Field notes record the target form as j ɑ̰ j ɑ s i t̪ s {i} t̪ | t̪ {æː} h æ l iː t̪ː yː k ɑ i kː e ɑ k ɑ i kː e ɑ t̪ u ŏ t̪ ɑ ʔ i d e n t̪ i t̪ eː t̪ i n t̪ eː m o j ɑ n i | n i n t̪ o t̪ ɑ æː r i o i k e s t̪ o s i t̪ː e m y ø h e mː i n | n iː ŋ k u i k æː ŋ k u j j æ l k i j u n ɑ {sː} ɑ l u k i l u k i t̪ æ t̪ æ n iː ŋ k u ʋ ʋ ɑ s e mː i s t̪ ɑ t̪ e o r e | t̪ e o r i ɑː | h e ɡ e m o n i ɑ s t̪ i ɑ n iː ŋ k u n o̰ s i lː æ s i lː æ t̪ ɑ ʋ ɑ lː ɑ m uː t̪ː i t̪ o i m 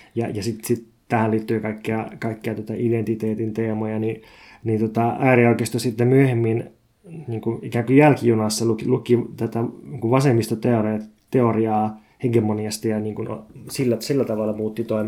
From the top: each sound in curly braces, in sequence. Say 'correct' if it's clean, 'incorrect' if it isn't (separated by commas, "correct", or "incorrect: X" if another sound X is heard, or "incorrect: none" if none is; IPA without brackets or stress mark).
correct, incorrect: æ, correct